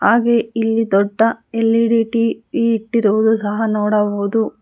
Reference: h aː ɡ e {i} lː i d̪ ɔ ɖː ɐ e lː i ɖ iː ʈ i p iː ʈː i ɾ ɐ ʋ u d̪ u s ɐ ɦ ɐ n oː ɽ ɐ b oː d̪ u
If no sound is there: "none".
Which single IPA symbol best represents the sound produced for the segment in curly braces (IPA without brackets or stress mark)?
i